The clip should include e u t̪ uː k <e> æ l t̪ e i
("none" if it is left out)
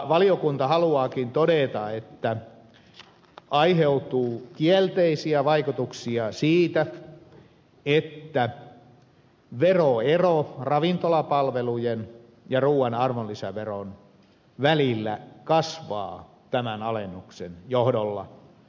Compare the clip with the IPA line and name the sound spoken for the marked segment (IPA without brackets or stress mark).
i